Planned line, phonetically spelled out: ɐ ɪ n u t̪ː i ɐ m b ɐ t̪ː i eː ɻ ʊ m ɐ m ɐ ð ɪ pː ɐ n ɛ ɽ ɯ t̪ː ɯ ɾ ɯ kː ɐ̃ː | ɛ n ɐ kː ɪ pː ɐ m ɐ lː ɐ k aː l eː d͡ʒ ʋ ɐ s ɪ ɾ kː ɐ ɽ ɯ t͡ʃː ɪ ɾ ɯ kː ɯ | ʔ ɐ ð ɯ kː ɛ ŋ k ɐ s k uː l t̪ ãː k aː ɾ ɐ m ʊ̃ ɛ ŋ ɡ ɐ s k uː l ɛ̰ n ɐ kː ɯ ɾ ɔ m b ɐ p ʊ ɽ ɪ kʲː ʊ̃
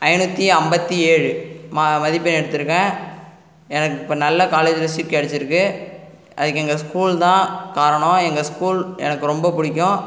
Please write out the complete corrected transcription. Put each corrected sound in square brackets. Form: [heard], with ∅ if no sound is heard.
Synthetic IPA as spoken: ɐ ɪ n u t̪ː i ɐ m b ɐ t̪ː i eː ɻ [ɯ] m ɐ m ɐ ð ɪ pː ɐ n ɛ ɽ ɯ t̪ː ɯ ɾ ɯ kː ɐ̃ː | ɛ n ɐ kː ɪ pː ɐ [n] ɐ lː ɐ k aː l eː d͡ʒ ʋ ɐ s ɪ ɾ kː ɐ ɽ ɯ t͡ʃː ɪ ɾ ɯ kː ɯ | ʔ ɐ ð ɯ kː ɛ ŋ [ɡ] ɐ s k uː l t̪ ãː k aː ɾ ɐ [ɳ] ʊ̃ ɛ ŋ ɡ ɐ s k uː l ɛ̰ n ɐ kː ɯ ɾ ɔ m b ɐ p ʊ ɽ ɪ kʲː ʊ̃